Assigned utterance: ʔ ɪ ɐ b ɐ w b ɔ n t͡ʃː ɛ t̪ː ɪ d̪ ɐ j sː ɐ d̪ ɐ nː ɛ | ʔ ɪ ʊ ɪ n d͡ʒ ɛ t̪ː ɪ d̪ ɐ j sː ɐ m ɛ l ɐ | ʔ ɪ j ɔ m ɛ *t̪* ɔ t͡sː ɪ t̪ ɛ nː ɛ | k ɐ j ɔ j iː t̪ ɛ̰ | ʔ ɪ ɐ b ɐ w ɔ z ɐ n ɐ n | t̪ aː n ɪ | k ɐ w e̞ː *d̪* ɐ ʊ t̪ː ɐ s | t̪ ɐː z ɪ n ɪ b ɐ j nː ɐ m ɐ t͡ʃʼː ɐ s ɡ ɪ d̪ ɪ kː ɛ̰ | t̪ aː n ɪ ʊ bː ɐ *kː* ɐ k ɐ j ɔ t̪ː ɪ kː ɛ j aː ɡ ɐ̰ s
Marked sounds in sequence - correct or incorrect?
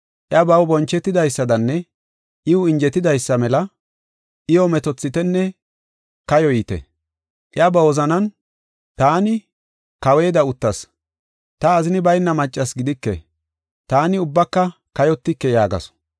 correct, correct, correct

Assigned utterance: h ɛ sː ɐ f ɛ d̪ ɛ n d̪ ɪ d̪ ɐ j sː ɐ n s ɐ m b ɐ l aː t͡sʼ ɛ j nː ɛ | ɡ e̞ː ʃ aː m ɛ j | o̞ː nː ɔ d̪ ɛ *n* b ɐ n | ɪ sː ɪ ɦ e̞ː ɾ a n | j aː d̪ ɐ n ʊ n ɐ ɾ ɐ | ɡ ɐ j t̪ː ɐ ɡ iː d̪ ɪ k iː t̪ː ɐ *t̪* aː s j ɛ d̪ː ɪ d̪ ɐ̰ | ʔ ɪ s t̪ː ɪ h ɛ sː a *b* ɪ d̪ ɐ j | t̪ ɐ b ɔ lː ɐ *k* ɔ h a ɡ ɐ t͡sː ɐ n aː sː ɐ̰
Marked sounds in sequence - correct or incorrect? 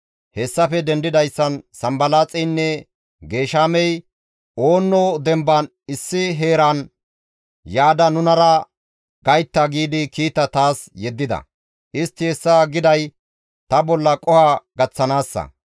incorrect: m, correct, incorrect: ɡ, incorrect: kʼ

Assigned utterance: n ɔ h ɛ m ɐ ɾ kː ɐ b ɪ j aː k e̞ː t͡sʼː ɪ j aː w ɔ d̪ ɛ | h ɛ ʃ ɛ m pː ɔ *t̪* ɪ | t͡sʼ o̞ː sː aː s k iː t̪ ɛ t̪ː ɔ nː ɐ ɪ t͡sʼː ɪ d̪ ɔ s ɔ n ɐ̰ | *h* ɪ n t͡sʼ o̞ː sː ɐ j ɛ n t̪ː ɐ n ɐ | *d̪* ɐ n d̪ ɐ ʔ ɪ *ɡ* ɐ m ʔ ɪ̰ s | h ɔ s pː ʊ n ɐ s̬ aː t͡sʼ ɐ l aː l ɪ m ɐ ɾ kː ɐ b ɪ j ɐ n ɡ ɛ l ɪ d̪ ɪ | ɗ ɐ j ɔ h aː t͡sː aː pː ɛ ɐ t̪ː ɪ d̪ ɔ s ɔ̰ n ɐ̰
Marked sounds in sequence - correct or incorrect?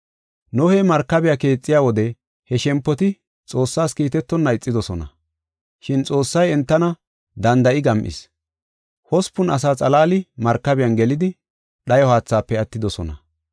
correct, incorrect: ʃ, correct, correct

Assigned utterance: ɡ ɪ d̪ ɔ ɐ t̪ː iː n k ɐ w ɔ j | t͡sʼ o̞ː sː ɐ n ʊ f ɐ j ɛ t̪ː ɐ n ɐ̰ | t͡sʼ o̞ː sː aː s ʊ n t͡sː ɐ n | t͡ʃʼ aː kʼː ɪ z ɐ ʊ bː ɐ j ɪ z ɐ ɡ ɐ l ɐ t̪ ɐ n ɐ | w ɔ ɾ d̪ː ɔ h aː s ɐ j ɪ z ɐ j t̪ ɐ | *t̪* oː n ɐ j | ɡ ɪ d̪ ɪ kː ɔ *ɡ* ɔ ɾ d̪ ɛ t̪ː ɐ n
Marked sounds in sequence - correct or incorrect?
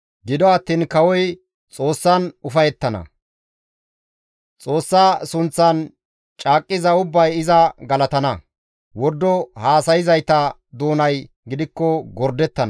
incorrect: d̪, correct

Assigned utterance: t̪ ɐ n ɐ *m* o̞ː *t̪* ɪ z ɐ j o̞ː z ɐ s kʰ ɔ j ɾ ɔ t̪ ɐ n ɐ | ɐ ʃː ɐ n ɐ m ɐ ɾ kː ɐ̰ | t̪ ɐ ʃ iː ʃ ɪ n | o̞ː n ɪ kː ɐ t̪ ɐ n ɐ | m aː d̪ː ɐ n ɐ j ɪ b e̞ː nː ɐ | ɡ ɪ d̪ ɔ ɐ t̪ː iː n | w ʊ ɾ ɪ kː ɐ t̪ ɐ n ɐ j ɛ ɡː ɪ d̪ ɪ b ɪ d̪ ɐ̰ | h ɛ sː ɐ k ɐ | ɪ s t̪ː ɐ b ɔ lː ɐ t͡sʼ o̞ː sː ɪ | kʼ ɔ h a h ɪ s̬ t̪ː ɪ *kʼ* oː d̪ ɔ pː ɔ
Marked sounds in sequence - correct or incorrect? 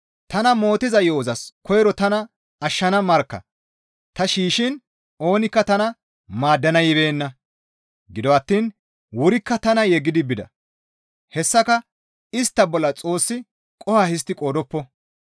correct, correct, correct

